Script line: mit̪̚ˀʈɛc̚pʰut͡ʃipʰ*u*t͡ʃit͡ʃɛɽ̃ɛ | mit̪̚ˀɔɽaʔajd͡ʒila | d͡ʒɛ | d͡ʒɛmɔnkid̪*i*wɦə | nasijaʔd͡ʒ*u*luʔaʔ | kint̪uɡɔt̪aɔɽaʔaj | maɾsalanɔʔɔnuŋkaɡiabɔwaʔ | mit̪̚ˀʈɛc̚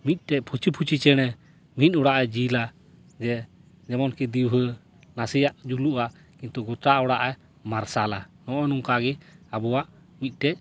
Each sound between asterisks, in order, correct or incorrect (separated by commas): correct, correct, correct